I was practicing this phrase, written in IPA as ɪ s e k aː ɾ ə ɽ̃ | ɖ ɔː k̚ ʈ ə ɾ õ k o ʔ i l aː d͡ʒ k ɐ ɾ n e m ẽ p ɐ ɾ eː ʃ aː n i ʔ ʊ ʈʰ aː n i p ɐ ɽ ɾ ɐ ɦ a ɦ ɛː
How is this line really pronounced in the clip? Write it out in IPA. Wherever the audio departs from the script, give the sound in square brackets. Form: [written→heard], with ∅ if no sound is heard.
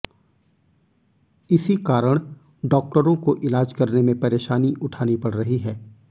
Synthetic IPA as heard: ɪ s [e→i] k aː ɾ ə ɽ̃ | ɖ ɔː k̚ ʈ ə ɾ õ k o ʔ [i→ɪ] l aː d͡ʒ k ɐ ɾ n e m ẽ p ɐ ɾ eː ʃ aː n i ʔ ʊ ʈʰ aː n i p ɐ ɽ ɾ ɐ ɦ [a→i] ɦ ɛː